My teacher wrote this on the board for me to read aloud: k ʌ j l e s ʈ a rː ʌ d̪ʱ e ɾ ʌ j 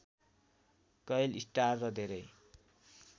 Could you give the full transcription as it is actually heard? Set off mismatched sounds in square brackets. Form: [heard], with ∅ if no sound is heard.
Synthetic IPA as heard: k ʌ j l [i] s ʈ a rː ʌ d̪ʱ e ɾ ʌ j